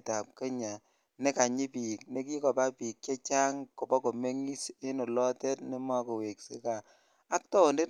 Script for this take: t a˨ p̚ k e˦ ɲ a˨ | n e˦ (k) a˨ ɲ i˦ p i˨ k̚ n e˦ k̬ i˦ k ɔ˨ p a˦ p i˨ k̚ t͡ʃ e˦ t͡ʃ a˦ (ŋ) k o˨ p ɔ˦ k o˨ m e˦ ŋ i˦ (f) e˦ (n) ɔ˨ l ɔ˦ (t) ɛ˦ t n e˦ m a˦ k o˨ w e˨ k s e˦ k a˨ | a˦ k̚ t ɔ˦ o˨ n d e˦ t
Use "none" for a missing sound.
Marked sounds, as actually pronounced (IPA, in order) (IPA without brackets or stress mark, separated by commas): k, ŋ, s, n, t